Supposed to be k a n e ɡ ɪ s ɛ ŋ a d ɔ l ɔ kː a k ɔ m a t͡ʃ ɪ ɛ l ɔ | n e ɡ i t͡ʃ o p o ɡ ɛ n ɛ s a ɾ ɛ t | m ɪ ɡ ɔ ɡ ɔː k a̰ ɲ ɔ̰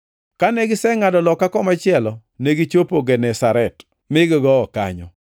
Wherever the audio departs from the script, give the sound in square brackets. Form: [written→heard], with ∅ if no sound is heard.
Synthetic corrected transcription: k a n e ɡ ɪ s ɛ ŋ a d ɔ l ɔ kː a k ɔ m a t͡ʃ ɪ ɛ l ɔ | n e ɡ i t͡ʃ o p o ɡ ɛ n ɛ s a ɾ ɛ t | m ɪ ɡ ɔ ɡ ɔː k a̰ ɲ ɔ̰